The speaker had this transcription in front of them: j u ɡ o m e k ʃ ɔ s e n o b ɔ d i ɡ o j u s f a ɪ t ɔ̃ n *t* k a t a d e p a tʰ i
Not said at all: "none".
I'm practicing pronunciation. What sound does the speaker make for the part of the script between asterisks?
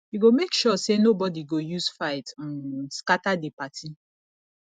s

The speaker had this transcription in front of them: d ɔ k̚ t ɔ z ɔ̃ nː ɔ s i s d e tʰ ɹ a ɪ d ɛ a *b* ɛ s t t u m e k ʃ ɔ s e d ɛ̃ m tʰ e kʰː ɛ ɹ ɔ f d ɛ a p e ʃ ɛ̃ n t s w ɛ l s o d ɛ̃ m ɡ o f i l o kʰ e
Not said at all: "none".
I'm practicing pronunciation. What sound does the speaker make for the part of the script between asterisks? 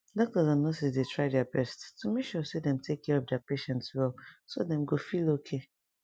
b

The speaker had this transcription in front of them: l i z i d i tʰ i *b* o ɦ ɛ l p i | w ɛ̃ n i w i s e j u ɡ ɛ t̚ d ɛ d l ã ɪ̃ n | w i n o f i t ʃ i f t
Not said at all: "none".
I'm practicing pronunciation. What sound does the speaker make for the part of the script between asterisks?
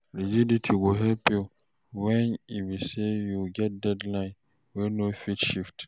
ɡ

